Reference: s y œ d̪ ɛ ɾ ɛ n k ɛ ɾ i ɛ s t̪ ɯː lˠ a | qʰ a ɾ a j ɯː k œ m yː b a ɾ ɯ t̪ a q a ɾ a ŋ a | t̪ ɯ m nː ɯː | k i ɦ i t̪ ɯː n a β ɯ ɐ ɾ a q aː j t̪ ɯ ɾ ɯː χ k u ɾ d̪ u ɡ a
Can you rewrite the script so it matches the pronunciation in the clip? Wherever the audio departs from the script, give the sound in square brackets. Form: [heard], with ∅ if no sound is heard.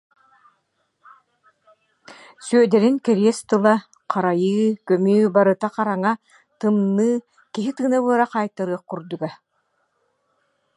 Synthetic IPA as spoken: s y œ d̪ ɛ ɾ [i] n k ɛ ɾ i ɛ s t̪ [ɯ] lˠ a | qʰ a ɾ a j ɯː k œ m yː b a ɾ ɯ t̪ a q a ɾ a ŋ a | t̪ ɯ m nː ɯː | k i ɦ i t̪ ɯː n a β ɯ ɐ ɾ a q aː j t̪ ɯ ɾ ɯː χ k u ɾ d̪ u ɡ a